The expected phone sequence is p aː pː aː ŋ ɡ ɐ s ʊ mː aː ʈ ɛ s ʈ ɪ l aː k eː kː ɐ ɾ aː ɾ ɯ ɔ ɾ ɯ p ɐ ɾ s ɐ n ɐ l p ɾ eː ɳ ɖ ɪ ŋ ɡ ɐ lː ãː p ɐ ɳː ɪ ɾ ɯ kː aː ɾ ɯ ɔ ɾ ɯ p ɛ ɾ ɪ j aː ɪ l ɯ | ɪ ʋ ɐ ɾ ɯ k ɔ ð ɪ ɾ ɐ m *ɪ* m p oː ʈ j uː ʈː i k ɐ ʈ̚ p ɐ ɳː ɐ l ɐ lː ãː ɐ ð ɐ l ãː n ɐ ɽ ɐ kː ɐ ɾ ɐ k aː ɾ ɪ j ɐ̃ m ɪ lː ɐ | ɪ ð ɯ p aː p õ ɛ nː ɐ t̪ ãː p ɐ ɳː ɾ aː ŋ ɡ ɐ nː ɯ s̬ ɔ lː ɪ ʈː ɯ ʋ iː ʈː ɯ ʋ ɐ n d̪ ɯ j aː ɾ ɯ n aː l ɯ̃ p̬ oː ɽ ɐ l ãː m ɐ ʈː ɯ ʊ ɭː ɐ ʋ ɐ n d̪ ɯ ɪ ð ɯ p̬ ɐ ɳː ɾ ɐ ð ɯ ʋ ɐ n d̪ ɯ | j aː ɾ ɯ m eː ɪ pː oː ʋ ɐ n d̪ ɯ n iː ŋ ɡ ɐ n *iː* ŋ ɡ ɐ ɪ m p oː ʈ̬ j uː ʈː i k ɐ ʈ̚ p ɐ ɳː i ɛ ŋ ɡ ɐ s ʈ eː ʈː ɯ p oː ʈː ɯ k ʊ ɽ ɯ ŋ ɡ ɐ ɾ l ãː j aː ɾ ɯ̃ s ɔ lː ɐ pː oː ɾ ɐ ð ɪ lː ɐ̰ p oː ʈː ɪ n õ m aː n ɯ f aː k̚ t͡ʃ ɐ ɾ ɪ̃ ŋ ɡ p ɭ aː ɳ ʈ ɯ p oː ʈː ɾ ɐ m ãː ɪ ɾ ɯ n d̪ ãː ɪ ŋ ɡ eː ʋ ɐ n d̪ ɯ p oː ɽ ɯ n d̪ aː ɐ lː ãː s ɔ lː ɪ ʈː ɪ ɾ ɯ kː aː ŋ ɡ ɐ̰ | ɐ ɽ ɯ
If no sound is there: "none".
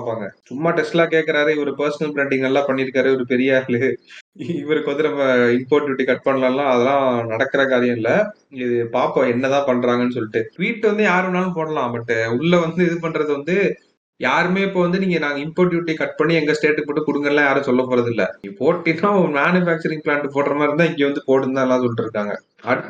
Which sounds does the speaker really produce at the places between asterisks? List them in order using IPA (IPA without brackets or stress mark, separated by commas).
ɪ, aː